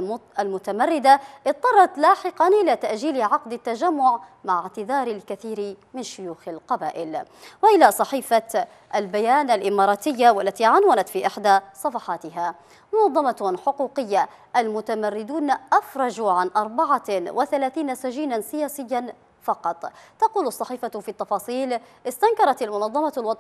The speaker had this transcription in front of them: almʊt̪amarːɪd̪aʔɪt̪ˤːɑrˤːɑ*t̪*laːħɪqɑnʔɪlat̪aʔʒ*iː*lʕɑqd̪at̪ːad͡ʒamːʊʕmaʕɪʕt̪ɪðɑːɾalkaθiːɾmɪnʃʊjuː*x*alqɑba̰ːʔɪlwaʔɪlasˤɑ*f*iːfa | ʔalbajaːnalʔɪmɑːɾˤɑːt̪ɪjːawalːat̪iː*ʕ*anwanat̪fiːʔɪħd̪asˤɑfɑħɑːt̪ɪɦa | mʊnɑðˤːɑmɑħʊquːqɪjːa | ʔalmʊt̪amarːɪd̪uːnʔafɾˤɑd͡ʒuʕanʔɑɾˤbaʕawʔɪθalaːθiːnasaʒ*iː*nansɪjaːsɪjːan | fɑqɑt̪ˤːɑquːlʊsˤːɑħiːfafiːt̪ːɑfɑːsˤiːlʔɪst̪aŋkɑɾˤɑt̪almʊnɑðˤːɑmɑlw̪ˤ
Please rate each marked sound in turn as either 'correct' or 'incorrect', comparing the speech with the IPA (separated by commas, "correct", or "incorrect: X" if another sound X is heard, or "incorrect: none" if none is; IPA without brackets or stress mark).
correct, correct, correct, incorrect: ħ, correct, correct